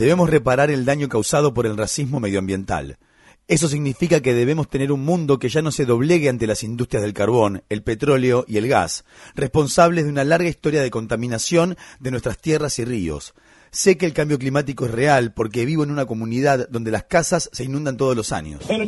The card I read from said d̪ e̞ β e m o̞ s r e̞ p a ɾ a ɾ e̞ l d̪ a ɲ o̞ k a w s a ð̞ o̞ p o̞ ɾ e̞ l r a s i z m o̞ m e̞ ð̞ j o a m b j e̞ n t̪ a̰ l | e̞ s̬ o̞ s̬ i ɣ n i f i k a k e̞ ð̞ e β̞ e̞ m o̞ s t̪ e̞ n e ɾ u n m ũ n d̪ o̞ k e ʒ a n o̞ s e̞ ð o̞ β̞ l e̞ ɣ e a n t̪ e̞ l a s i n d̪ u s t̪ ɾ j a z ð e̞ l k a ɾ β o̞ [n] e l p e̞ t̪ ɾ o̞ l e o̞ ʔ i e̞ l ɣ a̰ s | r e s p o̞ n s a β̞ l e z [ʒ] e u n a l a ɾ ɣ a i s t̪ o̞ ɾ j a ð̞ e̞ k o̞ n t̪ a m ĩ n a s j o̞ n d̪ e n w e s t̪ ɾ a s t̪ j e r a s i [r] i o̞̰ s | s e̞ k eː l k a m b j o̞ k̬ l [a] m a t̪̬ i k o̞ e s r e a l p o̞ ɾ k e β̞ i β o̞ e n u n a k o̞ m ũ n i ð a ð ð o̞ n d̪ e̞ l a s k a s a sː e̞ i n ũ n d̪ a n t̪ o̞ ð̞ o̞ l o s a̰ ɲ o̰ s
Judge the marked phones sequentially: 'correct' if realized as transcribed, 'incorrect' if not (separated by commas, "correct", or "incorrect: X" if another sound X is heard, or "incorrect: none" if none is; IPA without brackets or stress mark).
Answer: correct, incorrect: ð, correct, incorrect: i